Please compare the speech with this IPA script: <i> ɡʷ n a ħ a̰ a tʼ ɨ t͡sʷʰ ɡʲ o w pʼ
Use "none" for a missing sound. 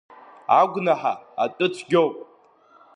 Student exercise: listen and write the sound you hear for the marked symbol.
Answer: a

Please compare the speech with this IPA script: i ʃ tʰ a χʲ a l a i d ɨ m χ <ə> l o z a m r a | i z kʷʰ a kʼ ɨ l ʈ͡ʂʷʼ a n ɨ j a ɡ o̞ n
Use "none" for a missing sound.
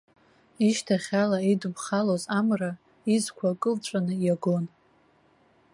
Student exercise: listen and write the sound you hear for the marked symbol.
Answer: a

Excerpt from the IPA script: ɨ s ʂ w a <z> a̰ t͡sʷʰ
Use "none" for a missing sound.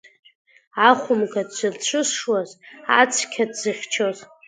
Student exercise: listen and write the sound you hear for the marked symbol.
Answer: z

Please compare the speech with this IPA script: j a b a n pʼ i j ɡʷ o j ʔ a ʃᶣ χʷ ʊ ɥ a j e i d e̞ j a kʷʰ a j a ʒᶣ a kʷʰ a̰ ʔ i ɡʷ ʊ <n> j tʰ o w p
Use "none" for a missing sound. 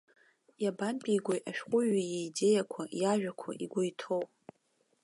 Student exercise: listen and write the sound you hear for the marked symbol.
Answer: none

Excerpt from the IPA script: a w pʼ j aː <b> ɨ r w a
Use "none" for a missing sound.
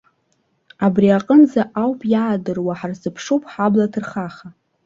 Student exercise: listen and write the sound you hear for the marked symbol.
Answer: d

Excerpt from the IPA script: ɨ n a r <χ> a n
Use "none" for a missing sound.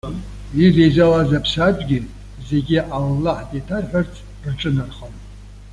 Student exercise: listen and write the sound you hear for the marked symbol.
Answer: χ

